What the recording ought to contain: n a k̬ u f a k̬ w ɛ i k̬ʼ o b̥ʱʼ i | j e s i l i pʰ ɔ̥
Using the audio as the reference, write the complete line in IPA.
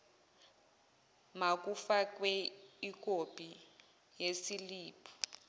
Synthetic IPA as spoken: m a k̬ u f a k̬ w ɛ i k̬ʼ o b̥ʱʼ i | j e s i l iː pʰ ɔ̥